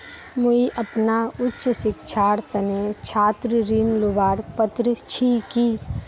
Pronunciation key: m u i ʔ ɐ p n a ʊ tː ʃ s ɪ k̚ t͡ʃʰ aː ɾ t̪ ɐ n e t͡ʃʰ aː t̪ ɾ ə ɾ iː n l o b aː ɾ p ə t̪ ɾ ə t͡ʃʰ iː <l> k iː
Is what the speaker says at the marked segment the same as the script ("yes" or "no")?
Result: no